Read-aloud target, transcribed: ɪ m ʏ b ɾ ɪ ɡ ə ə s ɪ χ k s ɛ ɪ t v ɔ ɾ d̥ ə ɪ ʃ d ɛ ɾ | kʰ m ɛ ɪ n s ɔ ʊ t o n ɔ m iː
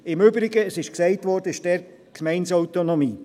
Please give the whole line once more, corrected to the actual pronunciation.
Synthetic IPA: ɪ m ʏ b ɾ ɪ ɡ ə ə s ɪ ʃ k s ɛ ɪ t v ɔ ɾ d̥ ə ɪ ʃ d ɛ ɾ | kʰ m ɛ ɪ n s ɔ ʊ t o n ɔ m iː